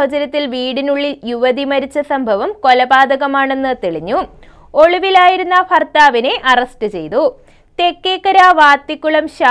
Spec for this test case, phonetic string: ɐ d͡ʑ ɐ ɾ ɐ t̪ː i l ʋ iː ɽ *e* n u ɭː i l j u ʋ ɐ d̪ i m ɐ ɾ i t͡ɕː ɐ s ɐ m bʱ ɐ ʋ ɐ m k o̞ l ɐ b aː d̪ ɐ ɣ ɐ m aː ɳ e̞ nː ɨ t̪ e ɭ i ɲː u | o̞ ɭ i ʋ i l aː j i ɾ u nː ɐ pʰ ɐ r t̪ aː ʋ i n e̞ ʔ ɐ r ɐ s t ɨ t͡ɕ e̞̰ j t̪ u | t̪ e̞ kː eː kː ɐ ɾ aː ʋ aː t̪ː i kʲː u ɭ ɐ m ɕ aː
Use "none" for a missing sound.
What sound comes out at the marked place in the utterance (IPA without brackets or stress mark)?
i